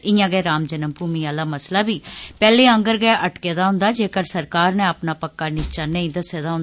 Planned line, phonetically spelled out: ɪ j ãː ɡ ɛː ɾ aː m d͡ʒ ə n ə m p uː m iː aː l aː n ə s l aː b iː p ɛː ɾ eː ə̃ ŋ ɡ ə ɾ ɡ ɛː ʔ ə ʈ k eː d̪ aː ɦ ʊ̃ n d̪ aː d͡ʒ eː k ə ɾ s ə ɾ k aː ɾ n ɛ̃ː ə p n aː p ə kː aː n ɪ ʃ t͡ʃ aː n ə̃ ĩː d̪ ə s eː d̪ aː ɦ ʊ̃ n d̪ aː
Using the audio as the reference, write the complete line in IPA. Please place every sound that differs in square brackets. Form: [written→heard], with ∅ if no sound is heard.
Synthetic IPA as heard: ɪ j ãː ɡ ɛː ɾ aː m d͡ʒ ə n ə m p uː m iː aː l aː [n→m] ə s l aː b iː p ɛː [ɾ→l] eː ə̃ ŋ ɡ ə ɾ ɡ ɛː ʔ ə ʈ k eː d̪ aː ɦ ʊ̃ n d̪ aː d͡ʒ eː k ə ɾ s ə ɾ k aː ɾ n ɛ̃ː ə p n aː p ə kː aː n ɪ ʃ t͡ʃ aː n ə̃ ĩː d̪ ə s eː d̪ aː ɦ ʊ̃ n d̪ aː

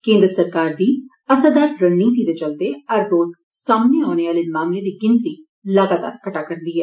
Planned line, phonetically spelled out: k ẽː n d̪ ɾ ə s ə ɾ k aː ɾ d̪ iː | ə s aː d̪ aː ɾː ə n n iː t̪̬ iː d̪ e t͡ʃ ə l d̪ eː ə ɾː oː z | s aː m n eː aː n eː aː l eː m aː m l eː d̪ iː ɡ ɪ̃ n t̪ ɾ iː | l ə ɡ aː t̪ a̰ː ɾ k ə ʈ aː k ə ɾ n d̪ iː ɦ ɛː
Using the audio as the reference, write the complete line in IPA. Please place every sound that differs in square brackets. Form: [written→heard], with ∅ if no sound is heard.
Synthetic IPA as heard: k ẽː n d̪ ɾ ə s ə ɾ k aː ɾ d̪ iː | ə s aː d̪ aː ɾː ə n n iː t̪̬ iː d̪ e t͡ʃ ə l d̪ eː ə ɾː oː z | s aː m n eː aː n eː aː l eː m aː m l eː d̪ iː ɡ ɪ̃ n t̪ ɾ iː | l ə ɡ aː t̪ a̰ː ɾ k ə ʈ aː k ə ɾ n d̪ iː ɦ ɛː

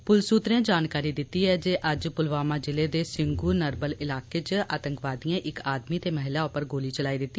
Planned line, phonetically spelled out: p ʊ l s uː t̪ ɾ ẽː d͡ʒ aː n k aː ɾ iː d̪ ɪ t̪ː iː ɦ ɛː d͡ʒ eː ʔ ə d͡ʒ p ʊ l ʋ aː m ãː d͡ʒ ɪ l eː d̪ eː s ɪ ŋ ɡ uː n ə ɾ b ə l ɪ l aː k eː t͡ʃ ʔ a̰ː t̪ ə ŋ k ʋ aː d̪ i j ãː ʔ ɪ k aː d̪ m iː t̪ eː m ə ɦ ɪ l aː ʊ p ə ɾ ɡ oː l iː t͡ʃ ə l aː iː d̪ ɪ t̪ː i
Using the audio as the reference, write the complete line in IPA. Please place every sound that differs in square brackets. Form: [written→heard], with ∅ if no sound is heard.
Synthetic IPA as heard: p ʊ l s uː t̪ ɾ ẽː d͡ʒ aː n k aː ɾ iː d̪ ɪ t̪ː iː ɦ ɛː d͡ʒ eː ʔ ə d͡ʒ p ʊ l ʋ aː m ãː d͡ʒ ɪ l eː d̪ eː s ɪ ŋ ɡ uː n ə ɾ b ə l ɪ l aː k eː t͡ʃ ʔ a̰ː t̪ ə ŋ k ʋ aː d̪ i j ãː ʔ ɪ k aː d̪ m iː t̪ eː m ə ɦ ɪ l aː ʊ p ə ɾ ɡ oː l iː t͡ʃ ə l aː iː d̪ ɪ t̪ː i

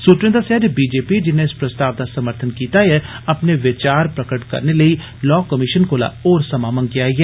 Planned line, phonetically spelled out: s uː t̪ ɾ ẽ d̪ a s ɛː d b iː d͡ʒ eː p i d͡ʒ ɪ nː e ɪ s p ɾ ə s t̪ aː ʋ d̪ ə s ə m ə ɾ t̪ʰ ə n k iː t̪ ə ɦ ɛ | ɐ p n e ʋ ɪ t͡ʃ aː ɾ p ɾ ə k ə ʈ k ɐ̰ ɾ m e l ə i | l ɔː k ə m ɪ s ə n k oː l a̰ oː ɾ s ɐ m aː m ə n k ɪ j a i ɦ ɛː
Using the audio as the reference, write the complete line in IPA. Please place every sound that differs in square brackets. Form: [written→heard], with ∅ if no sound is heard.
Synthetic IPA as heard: s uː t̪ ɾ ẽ d̪ a s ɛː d b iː d͡ʒ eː p i d͡ʒ ɪ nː e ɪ s p ɾ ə s t̪ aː ʋ d̪ [ə→a] s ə m ə ɾ t̪ʰ ə n k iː t̪ [ə→a] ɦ ɛ | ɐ p n e ʋ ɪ t͡ʃ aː ɾ p ɾ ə k ə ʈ k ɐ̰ ɾ [m→n] e l ə i | l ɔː k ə m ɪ [s→ʃ] ə n k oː l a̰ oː ɾ s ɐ m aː m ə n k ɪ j a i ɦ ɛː

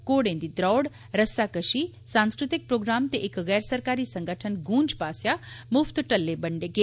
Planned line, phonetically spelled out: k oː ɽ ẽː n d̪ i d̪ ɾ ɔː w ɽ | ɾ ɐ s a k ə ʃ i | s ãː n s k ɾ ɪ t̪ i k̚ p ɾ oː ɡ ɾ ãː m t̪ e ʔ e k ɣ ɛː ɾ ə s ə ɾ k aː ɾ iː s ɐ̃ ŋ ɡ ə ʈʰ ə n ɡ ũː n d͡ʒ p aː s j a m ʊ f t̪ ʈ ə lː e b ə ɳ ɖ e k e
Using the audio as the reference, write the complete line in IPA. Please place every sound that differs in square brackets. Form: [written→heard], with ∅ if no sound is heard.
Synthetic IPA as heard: k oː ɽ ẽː n d̪ i d̪ ɾ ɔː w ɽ | ɾ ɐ s a k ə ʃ i | s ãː n s k ɾ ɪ t̪ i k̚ p ɾ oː ɡ ɾ [ãː→aː] m t̪ e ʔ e k ɣ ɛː ɾ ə s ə ɾ k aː ɾ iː s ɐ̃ ŋ ɡ ə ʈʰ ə n ɡ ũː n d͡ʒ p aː s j a m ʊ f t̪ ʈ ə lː e b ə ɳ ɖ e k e

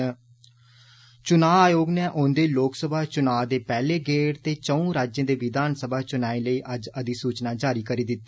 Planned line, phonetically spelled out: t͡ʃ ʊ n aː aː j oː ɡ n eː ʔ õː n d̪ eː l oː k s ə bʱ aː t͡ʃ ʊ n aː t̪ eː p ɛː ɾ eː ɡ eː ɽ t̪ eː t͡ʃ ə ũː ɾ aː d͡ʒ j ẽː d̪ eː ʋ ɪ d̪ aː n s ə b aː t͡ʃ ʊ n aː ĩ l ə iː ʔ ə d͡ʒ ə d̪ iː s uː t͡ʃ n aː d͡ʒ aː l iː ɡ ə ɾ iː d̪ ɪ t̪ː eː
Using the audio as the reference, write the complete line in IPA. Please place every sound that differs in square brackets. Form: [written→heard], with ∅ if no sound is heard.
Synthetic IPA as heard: t͡ʃ ʊ n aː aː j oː ɡ n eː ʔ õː n d̪ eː l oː k s ə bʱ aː t͡ʃ ʊ n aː [t̪→d̪] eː p ɛː [ɾ→l] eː ɡ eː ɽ t̪ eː t͡ʃ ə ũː ɾ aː d͡ʒ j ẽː d̪ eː ʋ ɪ d̪ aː n s ə b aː t͡ʃ ʊ n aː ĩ l ə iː ʔ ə d͡ʒ ə d̪ iː s uː t͡ʃ n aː d͡ʒ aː [l→ɾ] iː [ɡ→k] ə ɾ iː d̪ ɪ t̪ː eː

